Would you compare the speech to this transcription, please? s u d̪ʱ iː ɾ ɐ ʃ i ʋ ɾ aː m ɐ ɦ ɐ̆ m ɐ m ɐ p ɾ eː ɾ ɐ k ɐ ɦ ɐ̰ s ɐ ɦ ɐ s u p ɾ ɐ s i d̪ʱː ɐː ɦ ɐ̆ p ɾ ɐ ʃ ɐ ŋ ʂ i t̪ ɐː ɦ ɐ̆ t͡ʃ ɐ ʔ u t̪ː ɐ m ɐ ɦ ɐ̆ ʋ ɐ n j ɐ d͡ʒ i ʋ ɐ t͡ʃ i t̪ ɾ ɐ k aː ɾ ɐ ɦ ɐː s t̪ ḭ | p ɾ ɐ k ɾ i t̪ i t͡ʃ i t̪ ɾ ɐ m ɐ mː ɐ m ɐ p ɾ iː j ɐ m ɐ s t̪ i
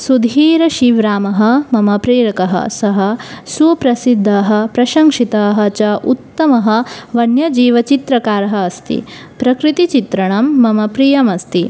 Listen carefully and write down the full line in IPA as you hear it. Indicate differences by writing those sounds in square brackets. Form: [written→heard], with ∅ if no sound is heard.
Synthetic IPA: s u d̪ʱ iː ɾ ɐ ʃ i ʋ ɾ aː m ɐ ɦ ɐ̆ m ɐ m ɐ p ɾ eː ɾ ɐ k ɐ ɦ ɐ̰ s ɐ ɦ ɐ s u p ɾ ɐ s i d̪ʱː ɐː ɦ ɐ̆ p ɾ ɐ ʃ ɐ ŋ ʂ i t̪ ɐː ɦ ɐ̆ t͡ʃ ɐ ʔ u t̪ː ɐ m ɐ ɦ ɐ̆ ʋ ɐ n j ɐ d͡ʒ [i→iː] ʋ ɐ t͡ʃ i t̪ ɾ ɐ k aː ɾ ɐ ɦ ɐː s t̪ ḭ | p ɾ ɐ k ɾ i t̪ i t͡ʃ i t̪ ɾ ɐ [m→ɳ] ɐ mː ɐ m ɐ p ɾ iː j ɐ m ɐ s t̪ i